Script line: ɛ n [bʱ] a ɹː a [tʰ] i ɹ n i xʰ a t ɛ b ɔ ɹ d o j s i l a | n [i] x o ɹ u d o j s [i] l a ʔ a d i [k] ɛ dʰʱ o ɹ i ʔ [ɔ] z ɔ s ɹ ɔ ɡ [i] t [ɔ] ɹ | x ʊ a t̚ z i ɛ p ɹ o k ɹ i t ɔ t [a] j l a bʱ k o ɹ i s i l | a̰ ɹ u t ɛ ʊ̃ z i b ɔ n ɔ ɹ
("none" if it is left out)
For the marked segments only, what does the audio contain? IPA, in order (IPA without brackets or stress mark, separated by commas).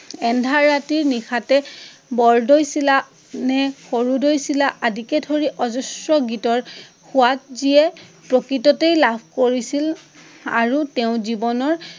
dʱ, t, ɛ, i, k, ɔ, i, ɔ, e